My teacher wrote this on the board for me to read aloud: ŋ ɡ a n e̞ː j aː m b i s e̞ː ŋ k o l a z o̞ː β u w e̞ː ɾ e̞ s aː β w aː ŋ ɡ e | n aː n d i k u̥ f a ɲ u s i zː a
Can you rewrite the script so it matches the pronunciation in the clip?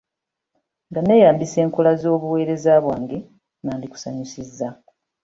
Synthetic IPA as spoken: ŋ ɡ a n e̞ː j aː m b i s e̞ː ŋ k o l a z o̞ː β u w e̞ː ɾ e̞ z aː β w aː ŋ ɡ e | n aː n d i k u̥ s a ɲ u s i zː a